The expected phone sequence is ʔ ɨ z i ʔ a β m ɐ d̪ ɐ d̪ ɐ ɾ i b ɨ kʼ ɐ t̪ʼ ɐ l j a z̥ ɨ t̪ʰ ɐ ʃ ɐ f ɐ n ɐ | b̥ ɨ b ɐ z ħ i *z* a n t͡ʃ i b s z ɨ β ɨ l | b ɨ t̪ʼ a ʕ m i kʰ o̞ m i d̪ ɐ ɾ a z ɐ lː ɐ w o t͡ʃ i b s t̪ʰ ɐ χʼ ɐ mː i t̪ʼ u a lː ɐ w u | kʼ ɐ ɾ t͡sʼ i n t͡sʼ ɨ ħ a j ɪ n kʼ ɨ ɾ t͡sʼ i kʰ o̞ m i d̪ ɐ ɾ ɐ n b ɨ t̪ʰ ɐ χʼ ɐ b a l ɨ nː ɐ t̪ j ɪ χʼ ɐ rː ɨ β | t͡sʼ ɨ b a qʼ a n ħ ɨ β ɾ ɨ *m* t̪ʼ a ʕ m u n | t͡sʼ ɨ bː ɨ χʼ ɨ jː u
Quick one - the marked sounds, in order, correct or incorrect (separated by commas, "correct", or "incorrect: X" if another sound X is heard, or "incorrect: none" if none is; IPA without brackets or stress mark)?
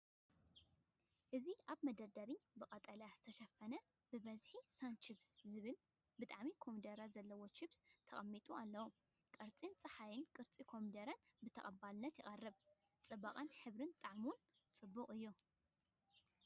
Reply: incorrect: s, incorrect: n